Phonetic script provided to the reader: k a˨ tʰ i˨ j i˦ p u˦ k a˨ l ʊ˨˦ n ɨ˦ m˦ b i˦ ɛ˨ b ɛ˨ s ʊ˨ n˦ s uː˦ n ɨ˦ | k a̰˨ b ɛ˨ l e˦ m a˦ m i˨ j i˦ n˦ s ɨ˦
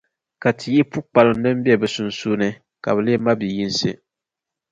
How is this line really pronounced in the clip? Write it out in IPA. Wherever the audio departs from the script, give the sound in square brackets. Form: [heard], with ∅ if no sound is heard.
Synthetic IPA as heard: k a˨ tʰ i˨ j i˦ p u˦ [k͡p] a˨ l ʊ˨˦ n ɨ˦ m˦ b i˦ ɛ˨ b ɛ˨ s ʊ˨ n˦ s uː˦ n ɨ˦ | k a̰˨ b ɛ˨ l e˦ m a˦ [b] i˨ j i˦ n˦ s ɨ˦